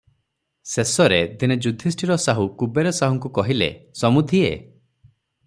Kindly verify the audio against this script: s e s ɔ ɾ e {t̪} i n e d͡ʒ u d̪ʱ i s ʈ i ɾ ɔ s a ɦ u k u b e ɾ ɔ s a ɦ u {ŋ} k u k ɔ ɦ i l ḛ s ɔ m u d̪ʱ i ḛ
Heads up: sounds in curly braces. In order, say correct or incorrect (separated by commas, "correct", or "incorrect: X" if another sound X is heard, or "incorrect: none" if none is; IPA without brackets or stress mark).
incorrect: d̪, correct